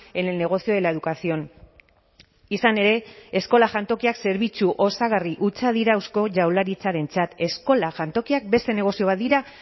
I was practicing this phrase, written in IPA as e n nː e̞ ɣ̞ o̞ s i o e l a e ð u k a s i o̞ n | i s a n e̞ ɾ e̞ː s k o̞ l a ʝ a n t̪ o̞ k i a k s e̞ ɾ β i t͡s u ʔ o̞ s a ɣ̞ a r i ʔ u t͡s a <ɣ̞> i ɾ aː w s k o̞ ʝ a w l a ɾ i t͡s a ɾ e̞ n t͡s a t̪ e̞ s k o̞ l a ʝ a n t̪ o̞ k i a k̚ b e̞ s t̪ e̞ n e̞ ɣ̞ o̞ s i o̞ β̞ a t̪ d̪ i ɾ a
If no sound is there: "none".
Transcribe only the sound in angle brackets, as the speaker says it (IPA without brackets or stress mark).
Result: ð̞